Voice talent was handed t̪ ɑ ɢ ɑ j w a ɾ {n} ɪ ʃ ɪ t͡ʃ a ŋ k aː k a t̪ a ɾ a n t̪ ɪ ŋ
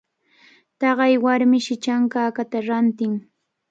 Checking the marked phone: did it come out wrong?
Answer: yes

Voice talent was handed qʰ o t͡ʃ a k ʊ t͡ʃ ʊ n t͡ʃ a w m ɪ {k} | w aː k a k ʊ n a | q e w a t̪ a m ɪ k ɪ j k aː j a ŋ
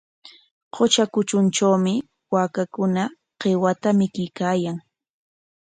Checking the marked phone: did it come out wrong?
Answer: yes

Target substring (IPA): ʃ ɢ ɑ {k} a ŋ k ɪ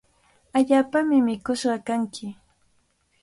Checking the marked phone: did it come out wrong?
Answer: no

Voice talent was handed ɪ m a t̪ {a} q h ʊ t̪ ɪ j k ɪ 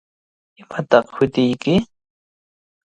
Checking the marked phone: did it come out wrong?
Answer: yes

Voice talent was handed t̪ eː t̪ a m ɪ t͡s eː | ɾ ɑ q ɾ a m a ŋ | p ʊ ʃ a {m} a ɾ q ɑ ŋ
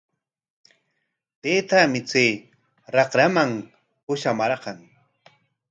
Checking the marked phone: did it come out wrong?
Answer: no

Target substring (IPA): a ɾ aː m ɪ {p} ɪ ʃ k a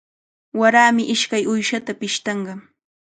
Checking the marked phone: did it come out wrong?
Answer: yes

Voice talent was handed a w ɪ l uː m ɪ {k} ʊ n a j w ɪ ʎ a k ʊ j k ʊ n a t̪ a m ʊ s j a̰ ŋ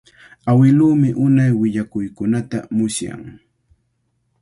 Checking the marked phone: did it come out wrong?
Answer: yes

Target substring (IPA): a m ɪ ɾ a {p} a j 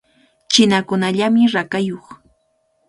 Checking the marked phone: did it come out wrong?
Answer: yes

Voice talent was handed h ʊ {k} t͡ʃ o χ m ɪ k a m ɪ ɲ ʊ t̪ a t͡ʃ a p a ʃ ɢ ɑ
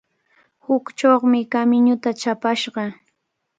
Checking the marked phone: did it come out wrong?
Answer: no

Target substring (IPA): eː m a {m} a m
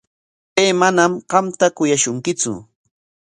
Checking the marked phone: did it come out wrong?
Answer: yes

